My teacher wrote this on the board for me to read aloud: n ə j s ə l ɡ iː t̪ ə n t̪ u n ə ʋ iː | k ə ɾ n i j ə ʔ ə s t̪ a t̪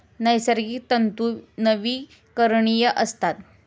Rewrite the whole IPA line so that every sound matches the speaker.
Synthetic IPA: n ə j s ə ɾ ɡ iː t̪ ə n t̪ u n ə ʋ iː | k ə ɾ ɳ i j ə ʔ ə s t̪ a t̪